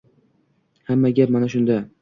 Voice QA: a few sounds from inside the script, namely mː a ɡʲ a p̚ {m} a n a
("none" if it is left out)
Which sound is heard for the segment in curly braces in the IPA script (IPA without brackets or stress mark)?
m